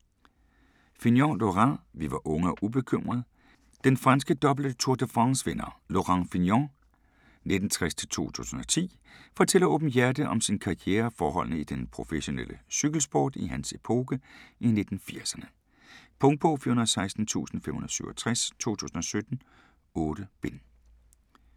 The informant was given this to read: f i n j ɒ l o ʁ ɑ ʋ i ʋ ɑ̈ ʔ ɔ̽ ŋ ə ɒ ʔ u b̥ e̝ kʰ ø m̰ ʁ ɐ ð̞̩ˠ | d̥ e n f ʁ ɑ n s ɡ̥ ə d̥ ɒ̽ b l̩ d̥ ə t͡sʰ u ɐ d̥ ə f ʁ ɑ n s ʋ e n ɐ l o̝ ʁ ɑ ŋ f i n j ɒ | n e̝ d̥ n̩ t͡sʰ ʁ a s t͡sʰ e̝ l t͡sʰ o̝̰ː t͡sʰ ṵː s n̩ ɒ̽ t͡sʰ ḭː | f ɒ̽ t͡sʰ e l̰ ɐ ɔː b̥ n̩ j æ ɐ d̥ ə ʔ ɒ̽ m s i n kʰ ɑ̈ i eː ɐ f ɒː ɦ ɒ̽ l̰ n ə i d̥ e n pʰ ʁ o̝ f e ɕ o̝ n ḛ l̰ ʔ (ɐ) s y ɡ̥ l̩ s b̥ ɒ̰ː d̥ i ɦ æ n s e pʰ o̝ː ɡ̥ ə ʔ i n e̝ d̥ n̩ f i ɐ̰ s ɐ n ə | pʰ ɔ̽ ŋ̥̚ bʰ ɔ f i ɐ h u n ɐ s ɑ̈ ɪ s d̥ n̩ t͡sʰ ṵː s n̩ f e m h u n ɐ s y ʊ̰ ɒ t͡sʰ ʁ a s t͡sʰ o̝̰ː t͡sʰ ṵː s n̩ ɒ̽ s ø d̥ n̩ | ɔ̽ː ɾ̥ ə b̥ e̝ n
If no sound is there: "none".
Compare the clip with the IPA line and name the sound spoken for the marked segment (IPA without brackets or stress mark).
ə